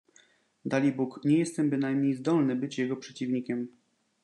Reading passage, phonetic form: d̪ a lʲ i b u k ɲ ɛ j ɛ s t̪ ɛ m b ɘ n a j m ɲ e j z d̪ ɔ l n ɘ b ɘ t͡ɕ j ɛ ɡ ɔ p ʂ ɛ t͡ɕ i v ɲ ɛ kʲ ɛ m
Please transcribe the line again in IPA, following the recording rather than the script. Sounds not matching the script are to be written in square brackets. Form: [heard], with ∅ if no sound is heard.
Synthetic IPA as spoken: d̪ a lʲ i b u k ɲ ɛ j ɛ s t̪ ɛ m b ɘ n a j m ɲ e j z d̪ ɔ l n ɘ b ɘ t͡ɕ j ɛ ɡ ɔ p ʂ ɛ t͡ɕ i v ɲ [i] kʲ ɛ m

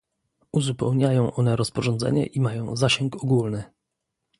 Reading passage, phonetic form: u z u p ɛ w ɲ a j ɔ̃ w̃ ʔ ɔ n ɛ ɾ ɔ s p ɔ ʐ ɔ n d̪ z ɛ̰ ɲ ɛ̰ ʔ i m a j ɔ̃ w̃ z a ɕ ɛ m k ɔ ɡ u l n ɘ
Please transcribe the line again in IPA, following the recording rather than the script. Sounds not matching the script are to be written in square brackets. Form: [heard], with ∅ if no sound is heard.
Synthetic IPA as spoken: u z u p ɛ w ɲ a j ɔ̃ w̃ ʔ ɔ n ɛ ɾ ɔ s p ɔ ʐ ɔ n d̪ z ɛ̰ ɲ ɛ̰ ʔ i m a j ɔ̃ w̃ z a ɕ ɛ [ŋ] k ɔ ɡ u l n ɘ

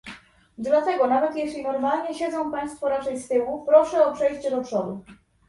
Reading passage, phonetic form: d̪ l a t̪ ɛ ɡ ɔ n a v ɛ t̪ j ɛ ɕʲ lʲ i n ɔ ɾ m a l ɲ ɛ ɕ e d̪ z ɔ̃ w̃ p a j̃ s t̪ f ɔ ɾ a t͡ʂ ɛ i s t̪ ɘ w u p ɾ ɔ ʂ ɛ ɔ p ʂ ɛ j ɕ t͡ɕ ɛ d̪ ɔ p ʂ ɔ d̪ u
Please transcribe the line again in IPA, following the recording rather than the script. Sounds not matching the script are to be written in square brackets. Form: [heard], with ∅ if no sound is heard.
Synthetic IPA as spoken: d̪ l a t̪ ɛ ɡ ɔ n a v ɛ t̪ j ɛ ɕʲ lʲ i n ɔ ɾ m a l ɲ ɛ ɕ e d̪ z ɔ̃ w̃ p a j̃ s t̪ f ɔ ɾ a t͡ʂ ɛ [j] s t̪ ɘ w u p ɾ ɔ ʂ ɛ ɔ p ʂ ɛ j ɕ t͡ɕ ɛ d̪ ɔ p ʂ ɔ d̪ u

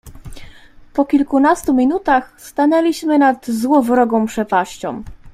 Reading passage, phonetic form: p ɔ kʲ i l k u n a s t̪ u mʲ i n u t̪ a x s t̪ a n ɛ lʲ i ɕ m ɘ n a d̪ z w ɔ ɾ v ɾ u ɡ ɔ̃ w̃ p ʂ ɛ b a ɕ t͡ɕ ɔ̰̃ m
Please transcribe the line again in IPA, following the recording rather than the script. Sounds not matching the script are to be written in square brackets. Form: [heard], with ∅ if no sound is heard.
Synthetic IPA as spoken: p ɔ kʲ i l k u n a s t̪ u mʲ i n u t̪ a x s t̪ a n ɛ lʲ i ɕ m ɘ n a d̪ z w ɔ [∅] v ɾ [ɔ] ɡ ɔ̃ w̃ p ʂ ɛ [p] a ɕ t͡ɕ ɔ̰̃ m

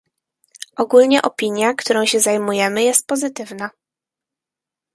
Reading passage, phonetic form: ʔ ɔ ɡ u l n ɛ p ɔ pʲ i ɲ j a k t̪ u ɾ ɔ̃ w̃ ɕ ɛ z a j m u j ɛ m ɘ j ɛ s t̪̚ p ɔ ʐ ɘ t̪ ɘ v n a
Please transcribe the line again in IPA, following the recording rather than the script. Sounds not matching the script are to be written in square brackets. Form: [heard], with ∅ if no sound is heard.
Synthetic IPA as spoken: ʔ ɔ ɡ u l [ɲ] ɛ [ʔ] ɔ pʲ i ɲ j a k t̪ u ɾ ɔ̃ w̃ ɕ ɛ z a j m u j ɛ m ɘ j ɛ s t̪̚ p ɔ [z] ɘ t̪ ɘ v n a

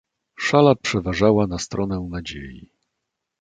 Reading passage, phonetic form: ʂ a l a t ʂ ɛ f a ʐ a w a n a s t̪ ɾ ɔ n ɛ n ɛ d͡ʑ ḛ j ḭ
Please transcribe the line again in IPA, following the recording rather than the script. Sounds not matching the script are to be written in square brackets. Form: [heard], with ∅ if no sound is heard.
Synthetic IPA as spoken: ʂ a l a [p] ʂ ɛ [v] a ʐ a w a n a s t̪ ɾ ɔ n ɛ n [a] d͡ʑ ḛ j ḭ

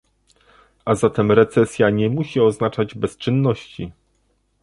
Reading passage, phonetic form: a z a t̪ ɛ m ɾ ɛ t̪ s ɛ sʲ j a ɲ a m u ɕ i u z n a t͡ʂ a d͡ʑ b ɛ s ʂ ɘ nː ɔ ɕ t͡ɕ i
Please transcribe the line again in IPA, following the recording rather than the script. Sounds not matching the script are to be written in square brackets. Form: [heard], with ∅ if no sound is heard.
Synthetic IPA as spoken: a z a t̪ ɛ m ɾ ɛ t̪ s ɛ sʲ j a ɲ [ɛ] m u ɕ i [ɔ] z n a t͡ʂ a d͡ʑ b ɛ s [t͡ʂ] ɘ nː ɔ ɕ t͡ɕ i

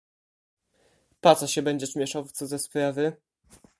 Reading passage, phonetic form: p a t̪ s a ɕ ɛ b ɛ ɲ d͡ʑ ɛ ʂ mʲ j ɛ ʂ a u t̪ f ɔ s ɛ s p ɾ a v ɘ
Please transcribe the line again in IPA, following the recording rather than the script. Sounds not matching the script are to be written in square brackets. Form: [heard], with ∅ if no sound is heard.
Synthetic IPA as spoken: p a t̪ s a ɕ ɛ b ɛ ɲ d͡ʑ ɛ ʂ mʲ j ɛ ʂ a [w] t̪ [s] ɔ [z] ɛ s p ɾ a v ɘ

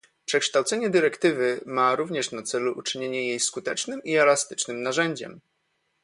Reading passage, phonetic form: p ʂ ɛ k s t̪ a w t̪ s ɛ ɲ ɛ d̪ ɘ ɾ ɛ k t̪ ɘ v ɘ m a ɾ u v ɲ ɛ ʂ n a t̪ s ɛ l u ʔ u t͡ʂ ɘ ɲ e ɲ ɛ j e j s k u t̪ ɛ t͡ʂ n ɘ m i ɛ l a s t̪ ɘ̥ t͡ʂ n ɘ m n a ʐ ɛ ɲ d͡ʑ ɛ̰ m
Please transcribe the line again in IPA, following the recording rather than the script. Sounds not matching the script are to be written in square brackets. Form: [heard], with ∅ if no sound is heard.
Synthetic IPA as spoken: p ʂ ɛ k [ʂ] t̪ a w t̪ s ɛ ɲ ɛ d̪ ɘ ɾ ɛ k t̪ ɘ v ɘ m a ɾ u v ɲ ɛ ʂ n a t̪ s ɛ l u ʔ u t͡ʂ ɘ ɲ e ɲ ɛ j e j s k u t̪ ɛ t͡ʂ n ɘ m i ɛ l a s t̪ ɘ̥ t͡ʂ n ɘ m n a ʐ ɛ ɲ d͡ʑ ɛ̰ m

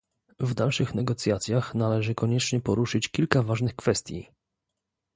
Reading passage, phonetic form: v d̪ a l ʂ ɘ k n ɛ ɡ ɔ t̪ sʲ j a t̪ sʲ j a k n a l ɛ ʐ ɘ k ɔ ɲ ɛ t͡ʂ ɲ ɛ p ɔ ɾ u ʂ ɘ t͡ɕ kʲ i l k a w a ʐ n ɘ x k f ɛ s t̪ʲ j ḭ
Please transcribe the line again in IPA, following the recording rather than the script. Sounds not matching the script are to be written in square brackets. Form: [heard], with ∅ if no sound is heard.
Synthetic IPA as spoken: v d̪ a l ʂ ɘ [x] n ɛ ɡ ɔ t̪ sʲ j a t̪ sʲ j a [x] n a l ɛ ʐ ɘ k ɔ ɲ ɛ t͡ʂ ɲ ɛ p ɔ ɾ u ʂ ɘ t͡ɕ kʲ i l k a [v] a ʐ n ɘ x k f ɛ s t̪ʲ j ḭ

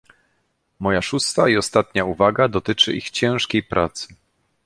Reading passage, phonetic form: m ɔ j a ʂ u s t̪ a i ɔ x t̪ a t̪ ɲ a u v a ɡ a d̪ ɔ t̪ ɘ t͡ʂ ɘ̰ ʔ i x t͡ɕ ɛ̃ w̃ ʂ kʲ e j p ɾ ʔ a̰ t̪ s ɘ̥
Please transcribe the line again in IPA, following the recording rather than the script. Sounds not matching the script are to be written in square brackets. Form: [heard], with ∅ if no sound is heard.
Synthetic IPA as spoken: m ɔ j a ʂ u s t̪ a i ɔ [s] t̪ a t̪ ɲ a u v a ɡ a d̪ ɔ t̪ ɘ t͡ʂ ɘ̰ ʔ i x t͡ɕ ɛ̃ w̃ ʂ kʲ e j p ɾ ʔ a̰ t̪ s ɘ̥

